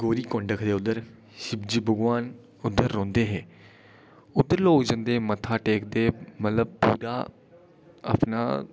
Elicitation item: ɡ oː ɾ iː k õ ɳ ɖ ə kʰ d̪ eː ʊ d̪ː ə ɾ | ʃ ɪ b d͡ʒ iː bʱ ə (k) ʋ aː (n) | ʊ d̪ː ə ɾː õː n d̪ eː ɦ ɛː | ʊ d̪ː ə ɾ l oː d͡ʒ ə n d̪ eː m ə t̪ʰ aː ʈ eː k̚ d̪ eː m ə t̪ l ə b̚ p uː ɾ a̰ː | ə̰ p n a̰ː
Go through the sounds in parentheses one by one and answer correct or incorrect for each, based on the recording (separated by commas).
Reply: incorrect, correct